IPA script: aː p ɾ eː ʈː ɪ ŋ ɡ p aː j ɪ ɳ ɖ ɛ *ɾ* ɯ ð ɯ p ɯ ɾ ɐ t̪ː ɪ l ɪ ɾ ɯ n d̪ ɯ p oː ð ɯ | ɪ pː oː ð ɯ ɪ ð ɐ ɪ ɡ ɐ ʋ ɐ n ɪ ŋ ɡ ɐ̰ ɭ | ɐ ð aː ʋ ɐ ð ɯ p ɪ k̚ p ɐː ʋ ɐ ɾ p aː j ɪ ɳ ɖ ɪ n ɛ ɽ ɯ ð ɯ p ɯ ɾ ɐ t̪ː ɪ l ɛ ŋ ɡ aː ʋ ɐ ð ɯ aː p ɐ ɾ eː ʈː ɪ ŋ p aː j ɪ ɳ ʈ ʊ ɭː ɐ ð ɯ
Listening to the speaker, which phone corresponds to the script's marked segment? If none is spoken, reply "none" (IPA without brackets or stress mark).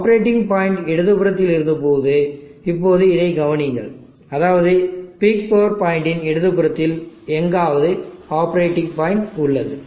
ɽ